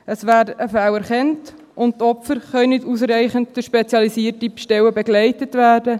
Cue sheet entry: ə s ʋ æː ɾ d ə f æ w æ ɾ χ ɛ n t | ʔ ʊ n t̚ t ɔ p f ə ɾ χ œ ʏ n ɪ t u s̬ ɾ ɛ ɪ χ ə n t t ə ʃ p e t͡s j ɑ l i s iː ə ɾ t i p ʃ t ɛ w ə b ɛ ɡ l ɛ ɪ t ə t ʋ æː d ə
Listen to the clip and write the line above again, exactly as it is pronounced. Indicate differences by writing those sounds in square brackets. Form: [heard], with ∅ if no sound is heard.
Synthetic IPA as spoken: ə s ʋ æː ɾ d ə f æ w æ ɾ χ ɛ n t | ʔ ʊ n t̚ t ɔ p f ə ɾ χ œ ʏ n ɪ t u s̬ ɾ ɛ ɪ χ ə n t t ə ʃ p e t͡s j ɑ l i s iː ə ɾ t i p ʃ t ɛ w ə b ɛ ɡ l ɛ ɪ t ə t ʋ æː d ə